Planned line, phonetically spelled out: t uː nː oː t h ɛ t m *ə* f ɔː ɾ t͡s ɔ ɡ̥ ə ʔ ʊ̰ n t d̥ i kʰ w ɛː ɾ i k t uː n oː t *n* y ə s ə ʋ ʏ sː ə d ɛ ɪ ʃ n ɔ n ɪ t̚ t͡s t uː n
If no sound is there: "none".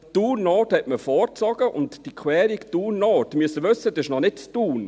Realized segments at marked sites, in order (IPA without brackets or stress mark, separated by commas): ə, m